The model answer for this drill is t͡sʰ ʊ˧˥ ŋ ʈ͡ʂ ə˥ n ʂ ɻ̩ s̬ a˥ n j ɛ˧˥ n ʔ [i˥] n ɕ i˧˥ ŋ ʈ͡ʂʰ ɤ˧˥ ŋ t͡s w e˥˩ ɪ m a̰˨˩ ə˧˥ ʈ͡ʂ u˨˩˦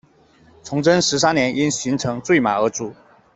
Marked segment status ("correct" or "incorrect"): correct